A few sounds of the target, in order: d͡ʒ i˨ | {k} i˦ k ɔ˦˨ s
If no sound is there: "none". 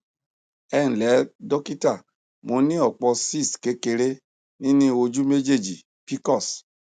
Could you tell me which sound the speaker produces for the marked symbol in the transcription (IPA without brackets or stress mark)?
p